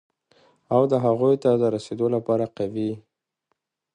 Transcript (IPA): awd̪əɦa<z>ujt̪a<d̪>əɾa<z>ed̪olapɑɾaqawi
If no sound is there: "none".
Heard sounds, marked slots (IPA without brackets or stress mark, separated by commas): ɣ, d̪, s